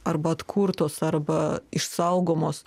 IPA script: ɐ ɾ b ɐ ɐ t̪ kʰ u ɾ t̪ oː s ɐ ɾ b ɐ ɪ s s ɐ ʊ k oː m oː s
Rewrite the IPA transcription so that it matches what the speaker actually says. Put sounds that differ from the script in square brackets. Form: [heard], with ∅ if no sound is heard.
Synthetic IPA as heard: ɐ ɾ b ɐ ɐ t̪ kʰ u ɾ t̪ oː s ɐ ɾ b ɐ ɪ [ʃ] s ɐ ʊ [ɡ] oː m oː s